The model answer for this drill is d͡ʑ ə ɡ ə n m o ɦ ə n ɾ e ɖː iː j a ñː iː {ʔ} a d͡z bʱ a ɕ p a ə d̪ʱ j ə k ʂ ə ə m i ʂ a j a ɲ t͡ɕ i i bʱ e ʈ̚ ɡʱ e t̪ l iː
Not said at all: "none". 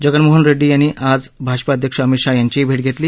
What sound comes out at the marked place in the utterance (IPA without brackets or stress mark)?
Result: ʔ